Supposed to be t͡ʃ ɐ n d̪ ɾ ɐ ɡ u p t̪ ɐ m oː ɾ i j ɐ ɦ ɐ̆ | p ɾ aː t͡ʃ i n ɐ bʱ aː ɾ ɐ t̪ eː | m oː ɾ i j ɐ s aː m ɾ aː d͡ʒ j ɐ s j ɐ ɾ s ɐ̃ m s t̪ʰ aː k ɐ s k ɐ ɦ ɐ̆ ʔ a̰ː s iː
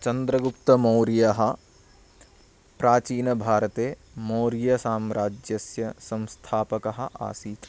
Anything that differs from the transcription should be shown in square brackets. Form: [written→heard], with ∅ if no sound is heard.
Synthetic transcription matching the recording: t͡ʃ ɐ n d̪ ɾ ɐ ɡ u p t̪ ɐ m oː ɾ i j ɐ ɦ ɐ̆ | p ɾ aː t͡ʃ [i→iː] n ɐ bʱ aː ɾ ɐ t̪ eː | m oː ɾ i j ɐ s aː m ɾ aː d͡ʒ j ɐ s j ɐ [ɾ→∅] s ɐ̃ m s t̪ʰ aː [k→p] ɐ [s→∅] k ɐ ɦ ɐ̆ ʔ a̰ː s iː